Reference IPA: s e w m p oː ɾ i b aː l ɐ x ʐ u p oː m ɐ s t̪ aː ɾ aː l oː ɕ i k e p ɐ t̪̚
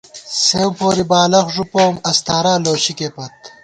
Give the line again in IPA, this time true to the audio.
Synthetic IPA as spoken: s e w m p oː ɾ i b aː l ɐ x ʐ u p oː m ɐ s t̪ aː ɾ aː l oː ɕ i k e p ɐ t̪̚